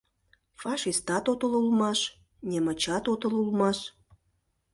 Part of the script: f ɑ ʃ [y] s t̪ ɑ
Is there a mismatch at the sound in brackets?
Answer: yes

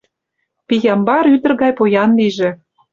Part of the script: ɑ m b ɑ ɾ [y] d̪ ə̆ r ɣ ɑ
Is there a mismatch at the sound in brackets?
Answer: no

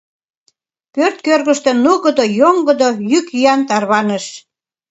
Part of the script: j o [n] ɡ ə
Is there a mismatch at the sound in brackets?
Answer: yes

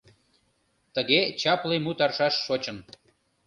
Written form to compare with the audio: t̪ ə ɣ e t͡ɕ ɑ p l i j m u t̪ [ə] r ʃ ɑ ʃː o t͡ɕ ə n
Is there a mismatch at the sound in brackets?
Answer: yes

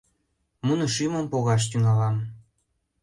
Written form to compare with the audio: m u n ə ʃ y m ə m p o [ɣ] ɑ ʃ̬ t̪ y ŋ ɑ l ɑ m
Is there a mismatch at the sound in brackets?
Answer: no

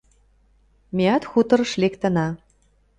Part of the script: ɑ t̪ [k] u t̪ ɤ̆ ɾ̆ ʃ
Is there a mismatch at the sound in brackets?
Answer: yes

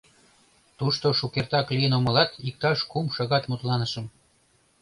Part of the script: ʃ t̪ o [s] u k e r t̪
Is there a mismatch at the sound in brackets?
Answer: yes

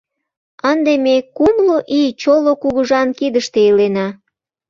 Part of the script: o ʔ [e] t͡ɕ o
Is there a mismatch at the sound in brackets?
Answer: yes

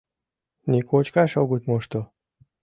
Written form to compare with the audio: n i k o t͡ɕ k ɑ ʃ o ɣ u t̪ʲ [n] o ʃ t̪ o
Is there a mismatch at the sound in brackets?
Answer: yes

